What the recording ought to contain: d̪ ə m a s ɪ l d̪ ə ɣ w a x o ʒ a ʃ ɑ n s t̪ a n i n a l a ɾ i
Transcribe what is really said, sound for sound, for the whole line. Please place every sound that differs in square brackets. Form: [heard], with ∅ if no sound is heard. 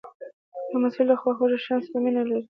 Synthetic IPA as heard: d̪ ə m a s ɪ l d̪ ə [x] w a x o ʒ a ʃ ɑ n s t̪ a [m] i n a l a ɾ i